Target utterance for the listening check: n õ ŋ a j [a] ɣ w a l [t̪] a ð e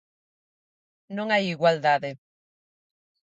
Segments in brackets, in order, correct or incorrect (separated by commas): incorrect, incorrect